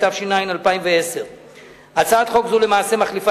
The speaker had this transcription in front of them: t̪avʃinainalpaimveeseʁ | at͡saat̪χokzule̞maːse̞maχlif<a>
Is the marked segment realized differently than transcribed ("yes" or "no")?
no